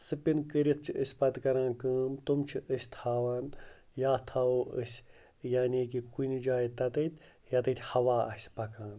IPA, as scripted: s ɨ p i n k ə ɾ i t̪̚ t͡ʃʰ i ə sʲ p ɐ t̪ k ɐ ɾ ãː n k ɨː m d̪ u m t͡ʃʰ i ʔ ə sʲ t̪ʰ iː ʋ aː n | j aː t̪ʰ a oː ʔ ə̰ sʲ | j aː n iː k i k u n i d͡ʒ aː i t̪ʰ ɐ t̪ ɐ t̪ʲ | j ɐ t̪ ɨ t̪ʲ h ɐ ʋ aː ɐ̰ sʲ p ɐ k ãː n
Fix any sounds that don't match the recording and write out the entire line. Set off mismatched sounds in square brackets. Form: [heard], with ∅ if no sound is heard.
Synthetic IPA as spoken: s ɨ p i n k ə ɾ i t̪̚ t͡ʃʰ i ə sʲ p ɐ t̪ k ɐ ɾ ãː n k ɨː m [t̪] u m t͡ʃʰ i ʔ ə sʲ t̪ʰ [aː] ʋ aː n | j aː t̪ʰ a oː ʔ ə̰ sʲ | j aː n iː k i k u n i d͡ʒ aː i [t̪] ɐ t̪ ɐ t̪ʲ | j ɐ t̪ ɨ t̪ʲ h ɐ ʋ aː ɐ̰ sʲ p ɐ k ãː n